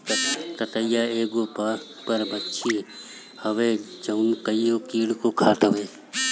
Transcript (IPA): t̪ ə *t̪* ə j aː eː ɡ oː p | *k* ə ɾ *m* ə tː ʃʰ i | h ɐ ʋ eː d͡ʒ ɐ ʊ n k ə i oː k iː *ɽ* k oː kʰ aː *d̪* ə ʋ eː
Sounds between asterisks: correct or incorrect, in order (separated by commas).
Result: correct, incorrect, incorrect, correct, incorrect